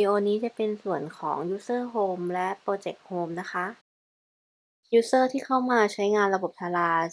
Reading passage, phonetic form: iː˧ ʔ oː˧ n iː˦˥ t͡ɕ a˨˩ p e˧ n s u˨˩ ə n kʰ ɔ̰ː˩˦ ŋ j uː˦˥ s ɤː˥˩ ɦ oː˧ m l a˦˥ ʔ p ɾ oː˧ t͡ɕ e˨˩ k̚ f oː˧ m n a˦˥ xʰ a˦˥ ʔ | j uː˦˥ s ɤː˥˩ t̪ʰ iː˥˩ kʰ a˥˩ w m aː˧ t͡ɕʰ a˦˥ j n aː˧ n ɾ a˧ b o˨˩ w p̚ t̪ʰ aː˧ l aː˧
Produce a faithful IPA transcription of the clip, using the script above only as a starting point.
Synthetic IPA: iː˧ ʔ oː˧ n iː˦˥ t͡ɕ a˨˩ p e˧ n s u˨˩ ə n kʰ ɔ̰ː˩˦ ŋ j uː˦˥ s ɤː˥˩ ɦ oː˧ m l ɛ˦˥ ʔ p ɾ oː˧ t͡ɕ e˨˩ k̚ h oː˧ m n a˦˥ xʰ a˦˥ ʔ | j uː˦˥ s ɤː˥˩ t̪ʰ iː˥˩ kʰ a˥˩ w m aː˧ t͡ɕʰ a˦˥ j ŋ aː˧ n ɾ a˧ b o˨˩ p̚ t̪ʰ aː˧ l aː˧

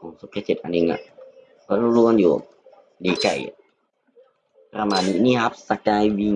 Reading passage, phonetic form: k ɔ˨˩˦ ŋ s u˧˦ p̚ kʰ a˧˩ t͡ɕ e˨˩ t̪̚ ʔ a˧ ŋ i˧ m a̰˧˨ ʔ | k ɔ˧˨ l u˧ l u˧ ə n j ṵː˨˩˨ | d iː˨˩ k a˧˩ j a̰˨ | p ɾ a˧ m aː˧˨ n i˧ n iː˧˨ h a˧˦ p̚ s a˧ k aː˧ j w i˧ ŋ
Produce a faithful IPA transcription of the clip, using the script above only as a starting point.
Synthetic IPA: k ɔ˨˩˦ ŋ s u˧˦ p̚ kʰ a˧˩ t͡ɕ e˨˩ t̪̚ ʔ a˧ n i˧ ŋ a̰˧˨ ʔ | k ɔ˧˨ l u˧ l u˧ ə n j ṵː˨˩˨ | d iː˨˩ k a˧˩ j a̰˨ | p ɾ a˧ m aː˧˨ n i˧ n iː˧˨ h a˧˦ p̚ s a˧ k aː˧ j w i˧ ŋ

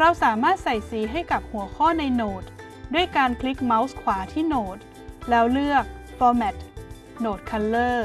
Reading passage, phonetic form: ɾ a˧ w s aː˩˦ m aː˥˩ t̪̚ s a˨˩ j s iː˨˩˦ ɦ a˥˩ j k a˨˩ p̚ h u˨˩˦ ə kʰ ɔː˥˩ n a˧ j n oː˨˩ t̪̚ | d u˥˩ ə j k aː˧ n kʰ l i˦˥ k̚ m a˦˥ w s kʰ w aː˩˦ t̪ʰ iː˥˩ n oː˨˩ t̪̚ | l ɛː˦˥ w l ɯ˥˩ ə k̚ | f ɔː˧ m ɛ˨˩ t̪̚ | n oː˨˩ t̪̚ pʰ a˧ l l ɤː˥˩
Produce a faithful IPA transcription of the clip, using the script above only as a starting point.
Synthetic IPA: ɾ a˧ w s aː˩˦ m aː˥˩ t̪̚ s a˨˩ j s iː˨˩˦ ɦ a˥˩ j k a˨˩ p̚ h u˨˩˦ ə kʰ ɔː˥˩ n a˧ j n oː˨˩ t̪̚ | d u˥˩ ə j k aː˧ n kʰ l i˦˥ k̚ m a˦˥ w s kʰ w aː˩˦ t̪ʰ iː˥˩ n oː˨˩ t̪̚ | l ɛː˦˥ w l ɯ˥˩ ə k̚ | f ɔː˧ m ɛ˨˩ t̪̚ | n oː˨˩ t̪̚ kʰ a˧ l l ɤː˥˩

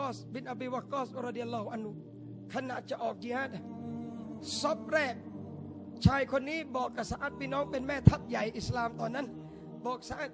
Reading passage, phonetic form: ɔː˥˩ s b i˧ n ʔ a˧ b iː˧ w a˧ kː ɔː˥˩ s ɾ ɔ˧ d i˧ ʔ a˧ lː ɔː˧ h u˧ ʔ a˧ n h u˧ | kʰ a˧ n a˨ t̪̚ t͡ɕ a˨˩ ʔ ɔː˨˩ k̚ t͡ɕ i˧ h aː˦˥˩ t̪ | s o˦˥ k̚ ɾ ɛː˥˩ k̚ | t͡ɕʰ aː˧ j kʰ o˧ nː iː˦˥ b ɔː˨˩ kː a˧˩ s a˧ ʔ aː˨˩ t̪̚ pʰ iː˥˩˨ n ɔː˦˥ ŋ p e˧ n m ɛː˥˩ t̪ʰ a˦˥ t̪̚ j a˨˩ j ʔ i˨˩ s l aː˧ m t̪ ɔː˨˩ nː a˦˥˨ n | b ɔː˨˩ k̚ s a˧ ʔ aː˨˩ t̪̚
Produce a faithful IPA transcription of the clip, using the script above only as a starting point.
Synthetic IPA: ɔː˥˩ s b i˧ n ʔ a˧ b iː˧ w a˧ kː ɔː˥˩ s ɾ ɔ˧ d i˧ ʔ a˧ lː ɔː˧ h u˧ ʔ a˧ n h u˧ | kʰ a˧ n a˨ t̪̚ t͡ɕ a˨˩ ʔ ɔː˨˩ k̚ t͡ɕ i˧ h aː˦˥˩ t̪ | s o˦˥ p̚ ɾ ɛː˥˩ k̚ | t͡ɕʰ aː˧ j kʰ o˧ nː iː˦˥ b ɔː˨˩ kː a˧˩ s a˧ ʔ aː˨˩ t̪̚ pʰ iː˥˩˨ n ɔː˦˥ ŋ p e˧ n m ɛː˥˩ t̪ʰ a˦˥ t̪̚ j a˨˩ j ʔ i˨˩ s l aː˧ m t̪ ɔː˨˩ nː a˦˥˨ n | b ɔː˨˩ k̚ s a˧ ʔ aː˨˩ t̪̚

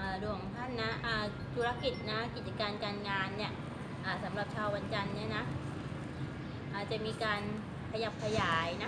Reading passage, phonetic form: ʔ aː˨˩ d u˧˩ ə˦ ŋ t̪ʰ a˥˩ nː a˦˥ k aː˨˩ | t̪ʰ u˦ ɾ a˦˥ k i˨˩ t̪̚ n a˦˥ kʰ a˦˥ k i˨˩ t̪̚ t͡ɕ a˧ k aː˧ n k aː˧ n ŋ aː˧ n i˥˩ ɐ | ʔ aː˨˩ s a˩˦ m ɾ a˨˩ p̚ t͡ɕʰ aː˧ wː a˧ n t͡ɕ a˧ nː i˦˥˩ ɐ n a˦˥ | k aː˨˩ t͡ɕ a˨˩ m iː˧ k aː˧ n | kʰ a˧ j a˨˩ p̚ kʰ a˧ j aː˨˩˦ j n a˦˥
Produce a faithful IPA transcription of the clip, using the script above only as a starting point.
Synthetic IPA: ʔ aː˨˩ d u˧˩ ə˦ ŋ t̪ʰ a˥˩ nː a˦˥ ʔ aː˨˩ | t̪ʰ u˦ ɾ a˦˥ k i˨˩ t̪̚ n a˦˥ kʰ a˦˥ k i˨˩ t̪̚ t͡ɕ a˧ k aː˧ n k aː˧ n ŋ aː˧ nː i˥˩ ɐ | ʔ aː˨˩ s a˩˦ m ɾ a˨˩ p̚ t͡ɕʰ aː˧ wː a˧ n t͡ɕ a˧ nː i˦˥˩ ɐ n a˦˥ | ʔ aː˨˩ t͡ɕ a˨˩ m iː˧ k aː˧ n | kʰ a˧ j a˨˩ p̚ kʰ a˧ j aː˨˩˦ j n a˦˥

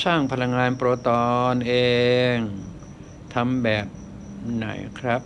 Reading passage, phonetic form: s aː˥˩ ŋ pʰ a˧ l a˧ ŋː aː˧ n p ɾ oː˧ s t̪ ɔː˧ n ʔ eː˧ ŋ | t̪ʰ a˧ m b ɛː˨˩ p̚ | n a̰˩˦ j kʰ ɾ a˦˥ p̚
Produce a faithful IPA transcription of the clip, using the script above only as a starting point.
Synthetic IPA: s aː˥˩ ŋ pʰ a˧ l a˧ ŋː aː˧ n p ɾ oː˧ t̪ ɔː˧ n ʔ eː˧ ŋ | t̪ʰ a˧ m b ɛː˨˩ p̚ | n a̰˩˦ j kʰ ɾ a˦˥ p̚

